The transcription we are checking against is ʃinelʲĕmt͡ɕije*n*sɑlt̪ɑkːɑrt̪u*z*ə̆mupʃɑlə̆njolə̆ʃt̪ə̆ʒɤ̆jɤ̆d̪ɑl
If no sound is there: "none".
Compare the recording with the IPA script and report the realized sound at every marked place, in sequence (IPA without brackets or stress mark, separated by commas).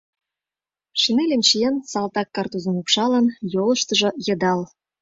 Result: n, z